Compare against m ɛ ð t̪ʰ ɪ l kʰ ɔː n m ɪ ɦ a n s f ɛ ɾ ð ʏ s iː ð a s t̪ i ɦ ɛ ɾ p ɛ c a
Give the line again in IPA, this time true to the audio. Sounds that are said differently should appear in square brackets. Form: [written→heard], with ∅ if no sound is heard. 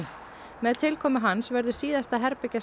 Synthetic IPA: m ɛ ð t̪ʰ ɪ l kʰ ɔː [n→∅] m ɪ ɦ a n s [f→v] ɛ ɾ ð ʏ s iː ð a s t̪ [i→a] ɦ ɛ ɾ p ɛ c a